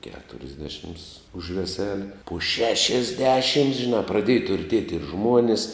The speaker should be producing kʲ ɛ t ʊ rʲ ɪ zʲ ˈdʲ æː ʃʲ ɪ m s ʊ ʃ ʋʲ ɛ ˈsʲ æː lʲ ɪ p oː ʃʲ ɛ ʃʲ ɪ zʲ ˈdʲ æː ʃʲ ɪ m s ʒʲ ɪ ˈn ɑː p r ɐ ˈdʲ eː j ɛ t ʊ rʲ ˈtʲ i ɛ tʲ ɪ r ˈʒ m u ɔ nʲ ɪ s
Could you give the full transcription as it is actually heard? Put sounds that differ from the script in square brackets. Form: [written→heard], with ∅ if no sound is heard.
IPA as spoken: kʲ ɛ t ʊ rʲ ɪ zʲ ˈdʲ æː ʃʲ ɪ m s ʊ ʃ ʋʲ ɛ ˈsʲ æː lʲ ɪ p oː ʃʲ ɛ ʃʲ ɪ zʲ ˈdʲ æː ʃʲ ɪ m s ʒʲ ɪ ˈn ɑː p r ɐ ˈdʲ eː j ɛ t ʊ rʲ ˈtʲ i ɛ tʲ ɪ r ˈʒ m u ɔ nʲ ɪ s